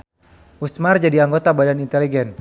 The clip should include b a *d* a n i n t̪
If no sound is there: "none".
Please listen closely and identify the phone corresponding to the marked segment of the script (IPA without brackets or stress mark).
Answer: d